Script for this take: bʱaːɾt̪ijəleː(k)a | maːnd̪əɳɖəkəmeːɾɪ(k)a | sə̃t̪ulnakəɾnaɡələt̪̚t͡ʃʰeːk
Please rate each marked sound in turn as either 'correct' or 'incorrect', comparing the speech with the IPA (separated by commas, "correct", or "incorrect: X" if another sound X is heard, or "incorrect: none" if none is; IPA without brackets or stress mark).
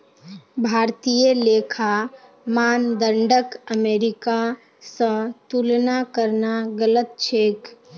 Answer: incorrect: kʰ, correct